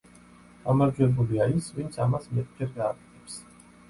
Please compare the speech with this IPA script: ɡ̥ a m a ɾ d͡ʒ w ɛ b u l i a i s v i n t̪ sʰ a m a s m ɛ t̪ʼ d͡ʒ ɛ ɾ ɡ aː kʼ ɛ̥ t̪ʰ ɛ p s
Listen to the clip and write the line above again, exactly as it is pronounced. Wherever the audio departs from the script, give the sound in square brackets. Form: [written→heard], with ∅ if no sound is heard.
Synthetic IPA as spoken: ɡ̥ a m a ɾ d͡ʒ w ɛ b u l i a i s v i n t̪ sʰ a m a s m ɛ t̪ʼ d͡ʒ ɛ ɾ ɡ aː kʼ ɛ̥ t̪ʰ ɛ p s

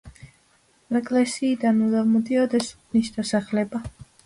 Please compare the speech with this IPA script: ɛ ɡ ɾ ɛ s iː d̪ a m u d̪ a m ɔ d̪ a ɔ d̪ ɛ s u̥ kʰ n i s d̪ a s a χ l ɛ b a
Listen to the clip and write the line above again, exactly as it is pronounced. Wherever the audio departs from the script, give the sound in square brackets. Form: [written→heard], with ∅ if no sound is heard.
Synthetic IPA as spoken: ɛ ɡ [ɾ→l] ɛ s iː d̪ a [m→n] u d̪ a m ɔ d̪ [a→i] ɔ d̪ ɛ s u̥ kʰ n i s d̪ a s a χ l ɛ b a

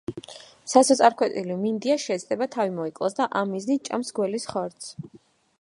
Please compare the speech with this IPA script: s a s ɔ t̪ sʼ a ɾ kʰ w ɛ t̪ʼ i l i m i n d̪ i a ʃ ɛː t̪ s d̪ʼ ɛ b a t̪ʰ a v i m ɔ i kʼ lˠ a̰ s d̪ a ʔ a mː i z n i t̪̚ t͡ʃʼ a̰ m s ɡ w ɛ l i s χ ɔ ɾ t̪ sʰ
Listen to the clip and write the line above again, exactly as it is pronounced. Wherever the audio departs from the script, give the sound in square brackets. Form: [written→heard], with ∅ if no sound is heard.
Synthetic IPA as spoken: s a s ɔ t̪ sʼ a ɾ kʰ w ɛ t̪ʼ i l i m i n d̪ i a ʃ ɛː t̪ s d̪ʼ ɛ b a t̪ʰ a v i m ɔ i kʼ lˠ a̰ s d̪ a ʔ a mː i z n i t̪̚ t͡ʃʼ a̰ m s ɡ w ɛ l i s χ ɔ ɾ t̪ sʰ

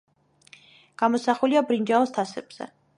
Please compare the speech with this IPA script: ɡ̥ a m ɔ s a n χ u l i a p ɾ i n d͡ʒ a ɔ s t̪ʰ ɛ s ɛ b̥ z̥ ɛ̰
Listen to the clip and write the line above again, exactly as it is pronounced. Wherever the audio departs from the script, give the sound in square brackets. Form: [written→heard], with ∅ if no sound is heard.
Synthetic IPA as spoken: ɡ̥ a m ɔ s a [n→∅] χ u l i a [p→b] ɾ i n d͡ʒ a ɔ s t̪ʰ [ɛ→a] s ɛ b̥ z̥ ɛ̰

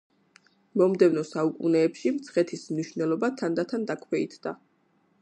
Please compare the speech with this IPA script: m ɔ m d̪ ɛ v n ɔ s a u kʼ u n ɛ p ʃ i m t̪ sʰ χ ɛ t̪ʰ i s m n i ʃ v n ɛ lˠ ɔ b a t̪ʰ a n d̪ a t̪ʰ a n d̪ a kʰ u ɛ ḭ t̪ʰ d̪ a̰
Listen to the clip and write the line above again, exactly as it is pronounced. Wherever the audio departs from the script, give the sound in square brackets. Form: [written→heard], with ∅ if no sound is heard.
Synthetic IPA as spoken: m ɔ m d̪ ɛ v n ɔ s a u kʼ u n [ɛ→ɛː] p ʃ i m t̪ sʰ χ ɛ t̪ʰ i s m n i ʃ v n ɛ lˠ ɔ b a t̪ʰ a n d̪ a t̪ʰ a n d̪ a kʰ [u→w] ɛ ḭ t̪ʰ d̪ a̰

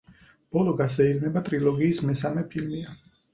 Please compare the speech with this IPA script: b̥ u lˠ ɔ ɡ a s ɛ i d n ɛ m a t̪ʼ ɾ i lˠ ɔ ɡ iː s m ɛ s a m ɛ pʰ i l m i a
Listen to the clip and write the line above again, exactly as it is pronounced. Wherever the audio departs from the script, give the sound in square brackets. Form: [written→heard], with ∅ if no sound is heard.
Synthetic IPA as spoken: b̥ [u→ɔ] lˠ ɔ ɡ a s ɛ i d n ɛ [m→b] a t̪ʼ ɾ i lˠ ɔ ɡ iː s m ɛ s a m ɛ pʰ i l m i a

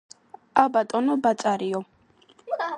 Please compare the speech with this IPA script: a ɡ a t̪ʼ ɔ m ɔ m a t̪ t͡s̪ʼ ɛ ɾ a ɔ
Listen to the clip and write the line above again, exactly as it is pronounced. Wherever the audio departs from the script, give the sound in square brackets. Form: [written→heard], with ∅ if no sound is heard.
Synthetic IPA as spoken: a [ɡ→b] a t̪ʼ ɔ [m→n] ɔ [m→b] a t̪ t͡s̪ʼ [ɛ→a] ɾ [a→i] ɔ

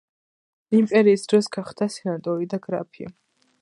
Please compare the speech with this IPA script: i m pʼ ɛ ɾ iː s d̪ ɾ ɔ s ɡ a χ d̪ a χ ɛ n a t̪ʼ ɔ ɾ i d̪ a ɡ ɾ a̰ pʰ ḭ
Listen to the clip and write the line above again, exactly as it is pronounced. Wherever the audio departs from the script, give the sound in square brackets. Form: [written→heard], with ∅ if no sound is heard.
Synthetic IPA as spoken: i m pʼ ɛ ɾ iː s d̪ ɾ ɔ s ɡ a χ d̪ a [χ→s] ɛ n a t̪ʼ ɔ ɾ i d̪ a ɡ ɾ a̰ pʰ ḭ

